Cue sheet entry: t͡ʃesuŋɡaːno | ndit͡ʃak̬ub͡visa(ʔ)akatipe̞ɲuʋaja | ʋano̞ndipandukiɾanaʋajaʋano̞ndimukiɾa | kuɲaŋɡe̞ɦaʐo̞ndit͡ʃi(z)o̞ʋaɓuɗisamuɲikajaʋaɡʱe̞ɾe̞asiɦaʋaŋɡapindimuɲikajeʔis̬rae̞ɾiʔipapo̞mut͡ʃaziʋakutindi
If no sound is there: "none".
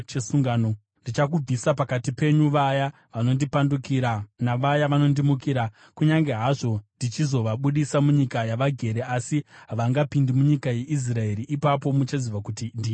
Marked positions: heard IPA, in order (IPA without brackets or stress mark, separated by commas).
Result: p, z